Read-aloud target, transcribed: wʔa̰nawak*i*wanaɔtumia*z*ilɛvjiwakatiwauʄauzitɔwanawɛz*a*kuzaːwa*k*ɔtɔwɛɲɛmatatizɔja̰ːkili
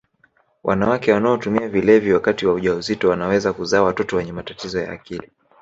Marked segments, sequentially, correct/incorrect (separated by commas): incorrect, incorrect, correct, incorrect